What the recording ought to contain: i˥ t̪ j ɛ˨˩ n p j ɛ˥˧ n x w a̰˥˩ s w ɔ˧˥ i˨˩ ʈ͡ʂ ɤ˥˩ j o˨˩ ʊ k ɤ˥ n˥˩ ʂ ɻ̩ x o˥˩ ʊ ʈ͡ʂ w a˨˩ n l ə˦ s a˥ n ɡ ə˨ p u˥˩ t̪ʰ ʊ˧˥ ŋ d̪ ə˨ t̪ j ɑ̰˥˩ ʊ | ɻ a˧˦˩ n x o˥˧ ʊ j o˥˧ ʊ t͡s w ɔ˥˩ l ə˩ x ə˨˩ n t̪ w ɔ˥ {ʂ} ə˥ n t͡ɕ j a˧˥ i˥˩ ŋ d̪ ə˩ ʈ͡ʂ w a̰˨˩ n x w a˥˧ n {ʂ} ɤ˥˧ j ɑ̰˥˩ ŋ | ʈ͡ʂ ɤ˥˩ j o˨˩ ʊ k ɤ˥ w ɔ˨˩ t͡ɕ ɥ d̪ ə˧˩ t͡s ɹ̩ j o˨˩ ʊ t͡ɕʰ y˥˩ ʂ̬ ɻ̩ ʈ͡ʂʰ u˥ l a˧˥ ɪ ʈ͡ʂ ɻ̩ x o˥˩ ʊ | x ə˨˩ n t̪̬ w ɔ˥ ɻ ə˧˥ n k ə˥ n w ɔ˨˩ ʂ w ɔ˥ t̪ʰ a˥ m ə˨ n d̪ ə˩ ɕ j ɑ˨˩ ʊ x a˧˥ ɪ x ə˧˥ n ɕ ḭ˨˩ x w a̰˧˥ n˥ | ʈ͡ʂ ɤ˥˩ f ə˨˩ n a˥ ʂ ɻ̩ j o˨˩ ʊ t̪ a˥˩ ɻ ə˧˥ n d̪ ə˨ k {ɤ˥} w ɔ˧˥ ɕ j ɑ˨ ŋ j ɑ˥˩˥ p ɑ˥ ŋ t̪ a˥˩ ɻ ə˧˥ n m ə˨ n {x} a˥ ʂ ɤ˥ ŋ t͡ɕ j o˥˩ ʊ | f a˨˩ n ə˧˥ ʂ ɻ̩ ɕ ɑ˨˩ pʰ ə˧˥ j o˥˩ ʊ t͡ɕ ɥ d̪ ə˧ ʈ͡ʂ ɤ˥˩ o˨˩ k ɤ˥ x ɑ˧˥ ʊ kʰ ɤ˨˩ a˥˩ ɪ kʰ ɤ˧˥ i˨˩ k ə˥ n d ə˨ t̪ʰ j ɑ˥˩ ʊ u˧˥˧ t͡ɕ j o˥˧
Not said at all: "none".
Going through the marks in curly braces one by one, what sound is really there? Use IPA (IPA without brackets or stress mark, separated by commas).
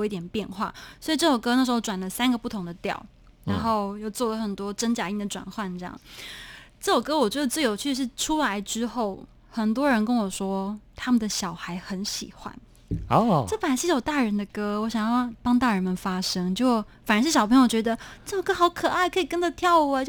ʈ͡ʂ, ʈ͡ʂ, ɤ˥, f